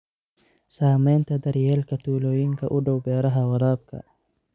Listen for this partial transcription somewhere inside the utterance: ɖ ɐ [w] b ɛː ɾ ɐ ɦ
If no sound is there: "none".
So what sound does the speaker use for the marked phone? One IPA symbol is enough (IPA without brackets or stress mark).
w